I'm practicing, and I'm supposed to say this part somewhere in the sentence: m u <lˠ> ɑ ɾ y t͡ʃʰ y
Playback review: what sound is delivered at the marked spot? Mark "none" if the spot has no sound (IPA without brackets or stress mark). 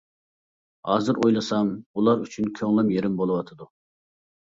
lˠ